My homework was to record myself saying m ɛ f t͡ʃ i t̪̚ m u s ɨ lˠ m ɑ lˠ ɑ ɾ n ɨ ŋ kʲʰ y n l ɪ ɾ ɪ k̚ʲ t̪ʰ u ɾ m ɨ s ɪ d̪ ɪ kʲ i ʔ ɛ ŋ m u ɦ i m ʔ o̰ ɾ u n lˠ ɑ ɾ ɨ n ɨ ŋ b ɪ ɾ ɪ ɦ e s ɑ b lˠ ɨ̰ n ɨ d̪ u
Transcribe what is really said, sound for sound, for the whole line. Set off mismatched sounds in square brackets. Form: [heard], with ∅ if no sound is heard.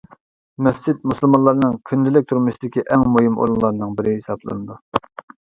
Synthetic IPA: m ɛ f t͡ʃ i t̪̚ m u s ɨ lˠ m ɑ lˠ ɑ ɾ n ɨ ŋ kʲʰ y n l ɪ [l] ɪ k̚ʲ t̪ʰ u ɾ m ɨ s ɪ d̪ ɪ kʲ i ʔ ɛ ŋ m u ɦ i m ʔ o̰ ɾ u n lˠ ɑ ɾ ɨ n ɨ ŋ b ɪ ɾ ɪ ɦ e s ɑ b lˠ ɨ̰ n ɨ d̪ u